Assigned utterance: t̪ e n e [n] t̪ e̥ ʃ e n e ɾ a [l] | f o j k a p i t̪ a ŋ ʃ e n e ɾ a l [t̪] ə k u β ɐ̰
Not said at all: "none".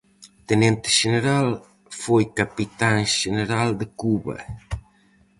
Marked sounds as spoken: n, l, d̪

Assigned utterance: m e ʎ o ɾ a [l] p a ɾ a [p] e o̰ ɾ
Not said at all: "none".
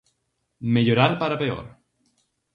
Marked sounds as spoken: ɾ, p

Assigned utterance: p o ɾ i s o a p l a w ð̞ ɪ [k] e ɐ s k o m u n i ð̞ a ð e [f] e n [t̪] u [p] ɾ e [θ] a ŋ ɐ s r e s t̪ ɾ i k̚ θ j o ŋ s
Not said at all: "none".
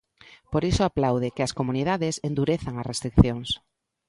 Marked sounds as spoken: k, s, d̪, none, θ

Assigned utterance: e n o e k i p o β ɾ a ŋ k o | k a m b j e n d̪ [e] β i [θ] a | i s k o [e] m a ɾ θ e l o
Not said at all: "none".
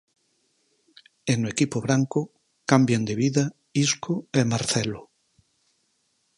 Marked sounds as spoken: e, ð, e

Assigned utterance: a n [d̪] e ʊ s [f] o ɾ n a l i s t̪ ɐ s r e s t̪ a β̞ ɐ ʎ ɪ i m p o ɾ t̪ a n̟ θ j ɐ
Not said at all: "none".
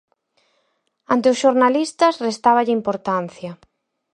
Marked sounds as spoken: t̪, ʃ

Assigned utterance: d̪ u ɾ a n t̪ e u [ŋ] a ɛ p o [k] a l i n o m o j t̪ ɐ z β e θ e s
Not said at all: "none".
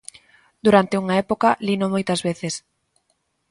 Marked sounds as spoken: ŋ, k

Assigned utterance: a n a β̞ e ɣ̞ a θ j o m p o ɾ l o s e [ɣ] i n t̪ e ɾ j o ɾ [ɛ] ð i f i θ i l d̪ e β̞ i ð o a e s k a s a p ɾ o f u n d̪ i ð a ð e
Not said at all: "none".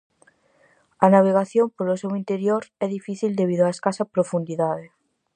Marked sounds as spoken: w, ɛ

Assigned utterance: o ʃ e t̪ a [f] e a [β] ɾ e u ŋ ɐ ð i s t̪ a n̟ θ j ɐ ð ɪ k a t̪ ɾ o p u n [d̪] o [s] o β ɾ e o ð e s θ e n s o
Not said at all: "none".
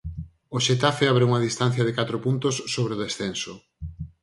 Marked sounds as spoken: f, β, t̪, sː

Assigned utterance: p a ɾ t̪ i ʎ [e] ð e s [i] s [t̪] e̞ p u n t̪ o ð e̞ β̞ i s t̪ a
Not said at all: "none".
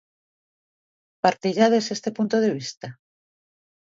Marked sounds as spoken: a, e, t̪

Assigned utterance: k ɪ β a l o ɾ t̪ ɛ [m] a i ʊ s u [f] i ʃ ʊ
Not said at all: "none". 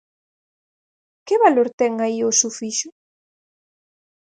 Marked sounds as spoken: ŋ, f

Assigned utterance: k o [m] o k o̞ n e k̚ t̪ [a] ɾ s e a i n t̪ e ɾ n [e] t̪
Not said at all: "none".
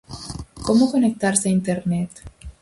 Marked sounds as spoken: m, a, e

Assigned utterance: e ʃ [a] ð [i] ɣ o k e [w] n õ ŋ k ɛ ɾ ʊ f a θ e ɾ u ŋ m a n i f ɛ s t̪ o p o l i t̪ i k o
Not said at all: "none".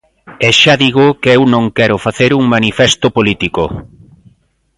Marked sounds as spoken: a, i, w

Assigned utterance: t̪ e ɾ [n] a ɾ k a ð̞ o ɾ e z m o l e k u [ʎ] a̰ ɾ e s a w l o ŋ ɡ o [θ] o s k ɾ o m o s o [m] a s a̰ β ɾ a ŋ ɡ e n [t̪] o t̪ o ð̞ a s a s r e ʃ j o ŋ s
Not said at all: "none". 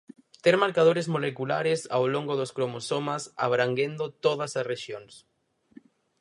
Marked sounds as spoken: m, l, ð, m, d̪

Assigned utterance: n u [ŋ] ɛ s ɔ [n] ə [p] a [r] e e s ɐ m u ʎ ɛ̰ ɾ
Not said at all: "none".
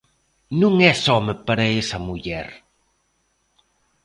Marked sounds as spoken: ŋ, m, p, ɾ

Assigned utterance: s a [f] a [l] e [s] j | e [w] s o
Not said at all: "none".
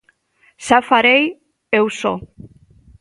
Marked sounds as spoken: f, ɾ, none, w

